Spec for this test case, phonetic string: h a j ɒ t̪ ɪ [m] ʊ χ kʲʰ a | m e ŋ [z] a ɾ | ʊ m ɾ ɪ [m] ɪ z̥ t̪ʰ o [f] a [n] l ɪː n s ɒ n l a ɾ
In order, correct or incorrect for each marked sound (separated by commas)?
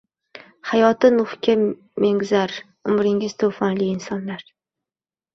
incorrect, correct, incorrect, correct, correct